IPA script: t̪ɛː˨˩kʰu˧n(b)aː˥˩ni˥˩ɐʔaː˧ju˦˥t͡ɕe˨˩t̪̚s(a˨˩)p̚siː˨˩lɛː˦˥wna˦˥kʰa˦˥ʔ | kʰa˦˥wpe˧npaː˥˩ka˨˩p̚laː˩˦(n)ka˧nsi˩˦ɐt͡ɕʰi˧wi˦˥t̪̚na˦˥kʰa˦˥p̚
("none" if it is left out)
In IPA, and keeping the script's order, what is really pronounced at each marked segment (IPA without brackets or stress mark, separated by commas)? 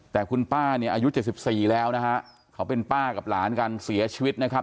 p, i˨˩, n